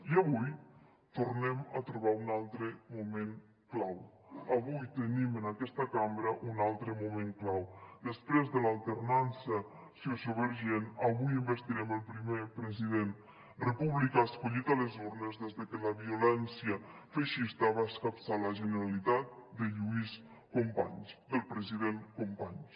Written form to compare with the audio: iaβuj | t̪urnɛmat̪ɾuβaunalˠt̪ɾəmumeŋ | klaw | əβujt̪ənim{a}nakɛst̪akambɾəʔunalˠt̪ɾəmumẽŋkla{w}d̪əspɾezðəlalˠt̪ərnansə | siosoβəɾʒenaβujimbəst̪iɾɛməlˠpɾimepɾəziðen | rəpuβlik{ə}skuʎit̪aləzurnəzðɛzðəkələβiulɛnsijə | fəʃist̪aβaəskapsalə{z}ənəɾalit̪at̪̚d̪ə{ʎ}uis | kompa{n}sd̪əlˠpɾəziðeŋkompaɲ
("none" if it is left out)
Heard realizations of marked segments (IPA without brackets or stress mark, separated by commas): ə, w, a, ʒ, ʎ, ɲ